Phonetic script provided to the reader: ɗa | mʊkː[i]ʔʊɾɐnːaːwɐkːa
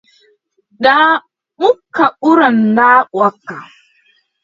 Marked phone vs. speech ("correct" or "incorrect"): incorrect